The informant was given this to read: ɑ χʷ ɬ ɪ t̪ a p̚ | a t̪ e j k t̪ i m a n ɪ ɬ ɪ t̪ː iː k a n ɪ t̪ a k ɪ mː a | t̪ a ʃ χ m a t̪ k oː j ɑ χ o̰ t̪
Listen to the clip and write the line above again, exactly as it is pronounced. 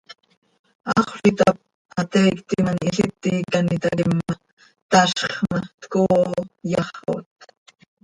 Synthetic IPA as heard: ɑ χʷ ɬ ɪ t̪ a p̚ | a t̪ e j k t̪ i m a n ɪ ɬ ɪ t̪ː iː k a n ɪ t̪ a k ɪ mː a | t̪ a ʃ χ m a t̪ k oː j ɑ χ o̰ t̪